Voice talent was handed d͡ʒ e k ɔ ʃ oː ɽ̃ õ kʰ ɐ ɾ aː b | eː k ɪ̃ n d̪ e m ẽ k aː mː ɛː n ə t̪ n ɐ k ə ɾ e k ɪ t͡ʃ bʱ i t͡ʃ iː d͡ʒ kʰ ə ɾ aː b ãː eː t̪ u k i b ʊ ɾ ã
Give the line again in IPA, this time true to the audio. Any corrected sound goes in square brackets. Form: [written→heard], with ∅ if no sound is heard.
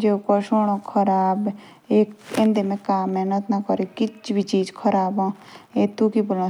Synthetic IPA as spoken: d͡ʒ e k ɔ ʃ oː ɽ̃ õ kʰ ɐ ɾ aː b | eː k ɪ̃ n d̪ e m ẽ k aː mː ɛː n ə t̪ n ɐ k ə ɾ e k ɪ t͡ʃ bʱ i t͡ʃ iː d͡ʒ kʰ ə ɾ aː b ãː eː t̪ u k i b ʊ [ɾ→l] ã